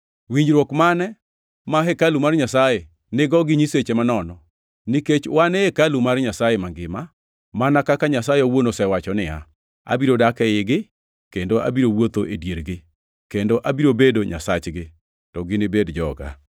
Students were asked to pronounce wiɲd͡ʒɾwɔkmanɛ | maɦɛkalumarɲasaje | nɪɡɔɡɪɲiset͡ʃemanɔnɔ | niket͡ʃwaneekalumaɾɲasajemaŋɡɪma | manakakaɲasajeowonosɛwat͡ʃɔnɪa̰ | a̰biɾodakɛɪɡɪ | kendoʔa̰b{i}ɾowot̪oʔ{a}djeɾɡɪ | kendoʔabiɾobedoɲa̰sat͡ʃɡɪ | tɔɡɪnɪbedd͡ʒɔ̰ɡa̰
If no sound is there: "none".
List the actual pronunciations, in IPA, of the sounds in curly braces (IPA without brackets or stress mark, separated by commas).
i, e